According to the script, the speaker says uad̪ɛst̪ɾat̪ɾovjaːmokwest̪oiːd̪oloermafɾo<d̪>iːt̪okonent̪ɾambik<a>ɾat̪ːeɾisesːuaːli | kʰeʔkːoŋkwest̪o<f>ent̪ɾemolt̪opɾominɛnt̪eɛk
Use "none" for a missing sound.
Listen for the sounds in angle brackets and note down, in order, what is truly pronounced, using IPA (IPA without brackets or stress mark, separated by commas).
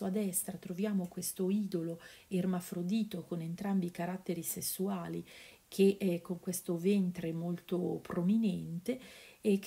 d̪, a, v